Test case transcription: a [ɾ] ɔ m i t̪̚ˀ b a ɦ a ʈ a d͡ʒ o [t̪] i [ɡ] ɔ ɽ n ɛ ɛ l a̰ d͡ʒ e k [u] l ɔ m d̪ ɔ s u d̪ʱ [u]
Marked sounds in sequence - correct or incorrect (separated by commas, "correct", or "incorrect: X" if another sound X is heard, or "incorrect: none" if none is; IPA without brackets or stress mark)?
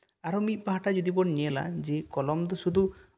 correct, incorrect: d̪, incorrect: b, incorrect: ɔ, correct